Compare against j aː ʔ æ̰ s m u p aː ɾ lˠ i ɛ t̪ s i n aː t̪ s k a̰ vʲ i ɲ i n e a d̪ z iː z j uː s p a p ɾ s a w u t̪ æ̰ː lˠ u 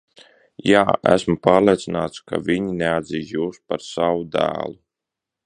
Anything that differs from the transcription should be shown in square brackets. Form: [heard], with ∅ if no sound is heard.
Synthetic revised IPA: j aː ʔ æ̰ s m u p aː ɾ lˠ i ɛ t̪ s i n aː t̪ s k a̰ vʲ i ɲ i n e a d̪ z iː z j uː s p a [∅] ɾ s a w u [d̪] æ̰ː lˠ u